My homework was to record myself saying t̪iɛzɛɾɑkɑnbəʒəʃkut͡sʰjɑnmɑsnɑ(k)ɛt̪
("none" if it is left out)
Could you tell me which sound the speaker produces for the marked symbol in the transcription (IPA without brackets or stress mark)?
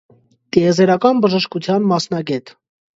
ɡ